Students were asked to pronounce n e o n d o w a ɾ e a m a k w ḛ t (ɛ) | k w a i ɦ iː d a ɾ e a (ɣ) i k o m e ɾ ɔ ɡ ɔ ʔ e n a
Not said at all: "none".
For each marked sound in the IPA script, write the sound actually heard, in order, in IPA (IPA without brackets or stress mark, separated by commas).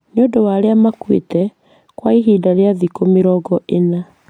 ɛ, ð